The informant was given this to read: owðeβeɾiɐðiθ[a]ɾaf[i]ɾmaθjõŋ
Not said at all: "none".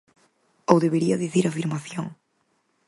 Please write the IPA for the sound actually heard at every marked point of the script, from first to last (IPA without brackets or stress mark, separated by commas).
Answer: i, i